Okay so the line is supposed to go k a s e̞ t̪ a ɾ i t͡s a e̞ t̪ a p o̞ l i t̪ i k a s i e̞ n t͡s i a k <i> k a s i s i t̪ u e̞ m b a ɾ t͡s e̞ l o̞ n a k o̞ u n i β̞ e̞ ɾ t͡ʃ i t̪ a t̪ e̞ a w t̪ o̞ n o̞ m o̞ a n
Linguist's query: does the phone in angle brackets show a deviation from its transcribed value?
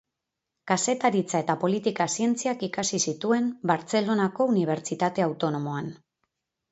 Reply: no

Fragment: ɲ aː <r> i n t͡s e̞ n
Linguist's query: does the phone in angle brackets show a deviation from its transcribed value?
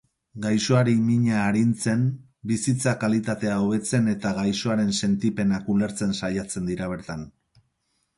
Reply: yes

